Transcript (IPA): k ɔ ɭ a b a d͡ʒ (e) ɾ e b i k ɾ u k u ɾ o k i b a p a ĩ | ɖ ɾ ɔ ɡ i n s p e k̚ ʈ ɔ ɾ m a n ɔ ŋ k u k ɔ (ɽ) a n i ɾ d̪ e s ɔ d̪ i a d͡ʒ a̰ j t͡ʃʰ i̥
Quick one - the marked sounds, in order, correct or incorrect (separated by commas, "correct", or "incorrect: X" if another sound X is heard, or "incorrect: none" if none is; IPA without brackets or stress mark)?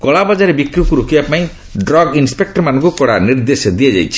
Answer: incorrect: a, correct